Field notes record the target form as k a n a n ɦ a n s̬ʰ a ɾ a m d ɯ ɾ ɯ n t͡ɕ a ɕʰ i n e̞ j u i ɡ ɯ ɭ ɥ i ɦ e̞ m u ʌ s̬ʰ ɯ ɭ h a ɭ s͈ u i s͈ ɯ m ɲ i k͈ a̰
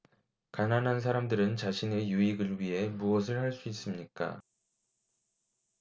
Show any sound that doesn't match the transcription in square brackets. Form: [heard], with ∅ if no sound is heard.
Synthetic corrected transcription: k a n a n ɦ a n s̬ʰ a ɾ a m d ɯ ɾ ɯ n t͡ɕ a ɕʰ i n e̞ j u i ɡ ɯ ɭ ɥ i ɦ e̞ m u ʌ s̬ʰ ɯ ɭ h a ɭ s͈ u i s͈ ɯ m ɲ i k͈ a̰